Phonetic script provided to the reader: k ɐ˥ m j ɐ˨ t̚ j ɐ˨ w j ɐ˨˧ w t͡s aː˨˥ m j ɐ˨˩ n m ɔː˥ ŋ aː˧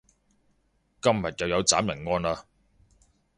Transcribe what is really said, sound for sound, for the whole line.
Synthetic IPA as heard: k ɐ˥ m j ɐ˨ t̚ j ɐ˨ w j ɐ˨˧ w t͡s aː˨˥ m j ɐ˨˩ n ŋ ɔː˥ n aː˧